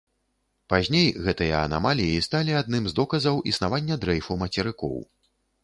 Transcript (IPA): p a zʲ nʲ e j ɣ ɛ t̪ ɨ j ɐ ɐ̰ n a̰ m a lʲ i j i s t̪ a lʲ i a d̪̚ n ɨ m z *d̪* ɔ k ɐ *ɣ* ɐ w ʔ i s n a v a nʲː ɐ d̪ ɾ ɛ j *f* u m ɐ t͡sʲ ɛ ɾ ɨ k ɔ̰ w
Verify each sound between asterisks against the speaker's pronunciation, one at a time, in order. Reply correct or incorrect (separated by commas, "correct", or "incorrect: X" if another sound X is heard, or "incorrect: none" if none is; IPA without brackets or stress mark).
correct, incorrect: z, correct